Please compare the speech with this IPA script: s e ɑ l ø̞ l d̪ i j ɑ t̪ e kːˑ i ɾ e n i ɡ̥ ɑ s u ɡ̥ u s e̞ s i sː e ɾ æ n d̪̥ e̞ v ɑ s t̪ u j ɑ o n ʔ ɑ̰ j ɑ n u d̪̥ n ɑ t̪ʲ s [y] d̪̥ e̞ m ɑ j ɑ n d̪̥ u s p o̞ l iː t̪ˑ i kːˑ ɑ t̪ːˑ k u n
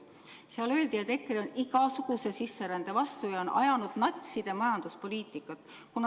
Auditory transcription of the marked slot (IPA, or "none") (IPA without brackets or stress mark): i